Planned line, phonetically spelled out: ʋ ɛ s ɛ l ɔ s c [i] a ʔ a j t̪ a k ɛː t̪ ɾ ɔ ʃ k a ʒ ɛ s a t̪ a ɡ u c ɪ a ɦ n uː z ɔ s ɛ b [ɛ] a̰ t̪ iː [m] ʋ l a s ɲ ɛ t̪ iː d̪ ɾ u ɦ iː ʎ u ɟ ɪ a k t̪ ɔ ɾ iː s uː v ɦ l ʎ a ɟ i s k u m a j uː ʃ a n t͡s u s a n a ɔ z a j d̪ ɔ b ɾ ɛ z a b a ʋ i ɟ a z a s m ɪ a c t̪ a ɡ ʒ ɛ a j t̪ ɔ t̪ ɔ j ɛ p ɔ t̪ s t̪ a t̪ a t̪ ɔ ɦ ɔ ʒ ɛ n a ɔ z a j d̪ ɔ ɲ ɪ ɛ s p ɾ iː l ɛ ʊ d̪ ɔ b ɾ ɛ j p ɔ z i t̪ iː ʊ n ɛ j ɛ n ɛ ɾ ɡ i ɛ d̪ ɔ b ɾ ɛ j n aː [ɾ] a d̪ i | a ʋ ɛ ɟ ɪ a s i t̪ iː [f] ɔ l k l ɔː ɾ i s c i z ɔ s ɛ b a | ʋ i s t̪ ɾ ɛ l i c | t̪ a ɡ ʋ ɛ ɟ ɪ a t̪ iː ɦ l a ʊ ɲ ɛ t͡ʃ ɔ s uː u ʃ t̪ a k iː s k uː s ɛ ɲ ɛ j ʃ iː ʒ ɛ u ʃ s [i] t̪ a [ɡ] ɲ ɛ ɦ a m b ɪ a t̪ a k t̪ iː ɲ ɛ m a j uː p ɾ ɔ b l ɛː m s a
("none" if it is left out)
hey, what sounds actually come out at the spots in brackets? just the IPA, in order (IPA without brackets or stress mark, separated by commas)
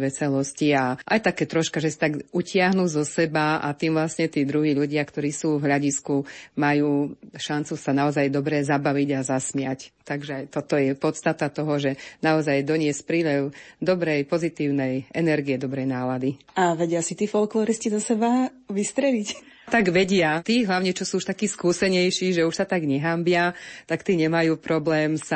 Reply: i, a, m, l, f, a, ɡ